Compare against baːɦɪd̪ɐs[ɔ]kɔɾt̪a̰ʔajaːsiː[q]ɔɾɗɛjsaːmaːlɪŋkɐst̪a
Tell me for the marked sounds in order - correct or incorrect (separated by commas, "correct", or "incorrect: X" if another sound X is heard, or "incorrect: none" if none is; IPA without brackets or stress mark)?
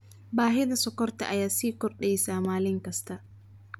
correct, incorrect: k